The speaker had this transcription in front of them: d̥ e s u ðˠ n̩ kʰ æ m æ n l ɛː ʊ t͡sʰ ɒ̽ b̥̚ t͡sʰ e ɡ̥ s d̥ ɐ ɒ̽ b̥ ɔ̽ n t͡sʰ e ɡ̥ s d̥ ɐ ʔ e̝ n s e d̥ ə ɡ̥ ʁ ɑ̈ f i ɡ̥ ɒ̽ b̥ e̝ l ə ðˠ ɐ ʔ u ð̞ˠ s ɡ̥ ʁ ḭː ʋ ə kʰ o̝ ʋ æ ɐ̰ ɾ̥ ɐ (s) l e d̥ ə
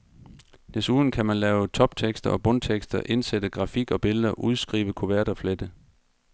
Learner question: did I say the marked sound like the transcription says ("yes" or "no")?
no